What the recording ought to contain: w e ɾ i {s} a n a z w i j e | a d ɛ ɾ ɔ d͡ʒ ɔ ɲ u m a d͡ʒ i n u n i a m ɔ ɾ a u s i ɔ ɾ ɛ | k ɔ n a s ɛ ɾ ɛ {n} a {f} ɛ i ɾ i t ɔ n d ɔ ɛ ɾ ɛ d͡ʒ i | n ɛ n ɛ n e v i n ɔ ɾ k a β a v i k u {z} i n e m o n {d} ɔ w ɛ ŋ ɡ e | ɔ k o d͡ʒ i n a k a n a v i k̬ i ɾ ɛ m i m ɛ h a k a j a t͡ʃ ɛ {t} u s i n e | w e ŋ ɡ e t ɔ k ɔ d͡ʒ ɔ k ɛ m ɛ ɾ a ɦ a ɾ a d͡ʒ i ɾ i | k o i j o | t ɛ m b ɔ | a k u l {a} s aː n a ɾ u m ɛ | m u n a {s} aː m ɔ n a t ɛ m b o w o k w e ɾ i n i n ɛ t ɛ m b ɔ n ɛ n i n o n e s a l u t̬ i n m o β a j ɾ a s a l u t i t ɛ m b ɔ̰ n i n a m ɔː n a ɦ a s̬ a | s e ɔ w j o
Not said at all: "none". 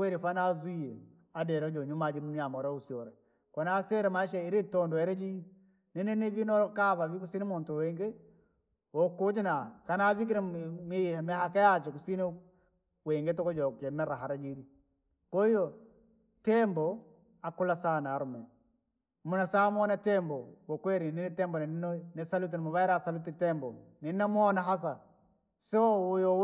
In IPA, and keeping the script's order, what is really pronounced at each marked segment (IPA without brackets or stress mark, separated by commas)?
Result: f, m, ʃ, s, t, k, a, s